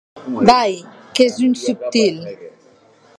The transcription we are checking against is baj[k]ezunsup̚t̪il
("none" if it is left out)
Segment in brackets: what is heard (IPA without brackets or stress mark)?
k